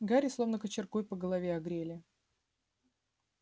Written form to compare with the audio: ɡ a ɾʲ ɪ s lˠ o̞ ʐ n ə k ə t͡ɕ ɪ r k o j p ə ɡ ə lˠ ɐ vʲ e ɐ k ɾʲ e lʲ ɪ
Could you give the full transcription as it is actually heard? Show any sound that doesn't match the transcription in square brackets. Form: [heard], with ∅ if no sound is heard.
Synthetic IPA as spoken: ɡ a ɾʲ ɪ s lˠ o̞ [v] n ə k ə t͡ɕ ɪ r k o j p ə ɡ ə lˠ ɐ vʲ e ɐ [ɡ] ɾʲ e lʲ ɪ